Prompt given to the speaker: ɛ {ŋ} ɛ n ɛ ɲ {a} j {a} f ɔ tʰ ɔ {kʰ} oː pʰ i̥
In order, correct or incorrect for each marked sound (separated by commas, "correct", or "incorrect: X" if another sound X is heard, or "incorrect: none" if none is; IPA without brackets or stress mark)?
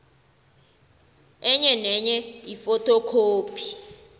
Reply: incorrect: ɲ, incorrect: ɛ, incorrect: i, correct